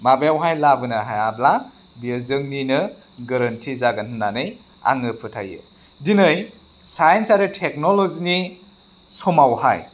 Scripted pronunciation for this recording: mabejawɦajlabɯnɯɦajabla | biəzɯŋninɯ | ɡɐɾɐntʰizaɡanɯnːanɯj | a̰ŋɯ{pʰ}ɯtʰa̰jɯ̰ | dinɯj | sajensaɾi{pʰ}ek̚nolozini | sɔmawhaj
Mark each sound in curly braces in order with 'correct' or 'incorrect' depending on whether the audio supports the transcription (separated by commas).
correct, incorrect